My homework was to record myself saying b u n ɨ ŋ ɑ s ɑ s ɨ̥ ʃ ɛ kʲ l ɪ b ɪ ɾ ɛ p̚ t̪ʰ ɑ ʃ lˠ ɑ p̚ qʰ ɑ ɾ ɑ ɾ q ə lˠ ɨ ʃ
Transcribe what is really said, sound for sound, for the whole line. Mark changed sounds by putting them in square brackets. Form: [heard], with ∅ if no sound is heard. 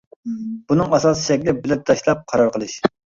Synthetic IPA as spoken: b u n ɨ ŋ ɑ s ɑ s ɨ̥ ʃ ɛ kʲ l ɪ b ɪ [l] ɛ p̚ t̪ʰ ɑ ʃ lˠ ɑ p̚ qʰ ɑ ɾ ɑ ɾ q ə lˠ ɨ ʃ